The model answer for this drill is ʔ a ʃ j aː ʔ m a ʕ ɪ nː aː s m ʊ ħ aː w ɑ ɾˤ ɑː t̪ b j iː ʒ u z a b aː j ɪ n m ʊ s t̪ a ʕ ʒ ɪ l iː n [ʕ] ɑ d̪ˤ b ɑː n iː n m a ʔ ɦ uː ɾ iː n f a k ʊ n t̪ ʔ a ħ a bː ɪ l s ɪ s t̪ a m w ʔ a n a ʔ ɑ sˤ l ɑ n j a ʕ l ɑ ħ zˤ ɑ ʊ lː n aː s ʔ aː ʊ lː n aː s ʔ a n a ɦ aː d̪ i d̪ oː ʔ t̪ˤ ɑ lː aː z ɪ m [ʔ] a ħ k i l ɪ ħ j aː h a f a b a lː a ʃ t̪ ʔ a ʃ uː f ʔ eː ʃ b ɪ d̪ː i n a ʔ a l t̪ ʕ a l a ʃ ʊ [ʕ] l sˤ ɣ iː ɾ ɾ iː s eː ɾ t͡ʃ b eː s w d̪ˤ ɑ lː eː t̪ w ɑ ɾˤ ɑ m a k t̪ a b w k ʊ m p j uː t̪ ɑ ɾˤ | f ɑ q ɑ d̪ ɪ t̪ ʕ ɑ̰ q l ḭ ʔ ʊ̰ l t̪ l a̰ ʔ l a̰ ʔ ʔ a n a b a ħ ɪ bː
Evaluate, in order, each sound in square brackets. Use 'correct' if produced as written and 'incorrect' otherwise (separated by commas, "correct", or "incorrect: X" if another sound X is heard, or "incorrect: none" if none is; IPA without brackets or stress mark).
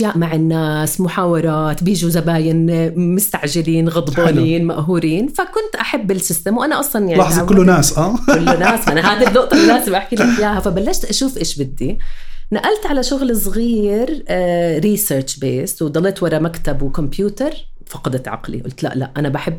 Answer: incorrect: ɣ, correct, incorrect: ɣ